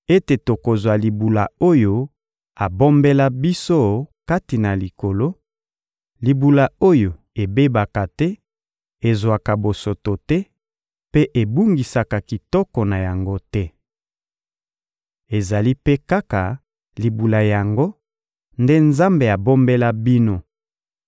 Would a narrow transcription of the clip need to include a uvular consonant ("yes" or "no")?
no